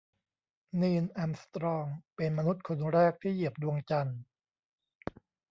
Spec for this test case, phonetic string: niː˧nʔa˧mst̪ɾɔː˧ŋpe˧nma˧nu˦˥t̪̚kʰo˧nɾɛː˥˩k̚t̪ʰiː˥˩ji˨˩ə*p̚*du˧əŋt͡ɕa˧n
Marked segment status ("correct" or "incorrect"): correct